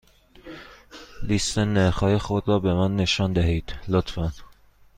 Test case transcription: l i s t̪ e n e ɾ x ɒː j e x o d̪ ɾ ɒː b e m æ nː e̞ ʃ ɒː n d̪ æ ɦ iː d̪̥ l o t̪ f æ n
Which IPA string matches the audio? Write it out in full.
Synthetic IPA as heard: l i s t̪ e n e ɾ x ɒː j e x o d̪ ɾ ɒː b e m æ nː e̞ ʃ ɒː n d̪ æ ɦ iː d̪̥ l o t̪ f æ n